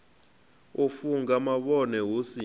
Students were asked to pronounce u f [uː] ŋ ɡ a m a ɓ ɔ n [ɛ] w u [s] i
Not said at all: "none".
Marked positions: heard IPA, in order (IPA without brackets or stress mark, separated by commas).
u, ɛ, s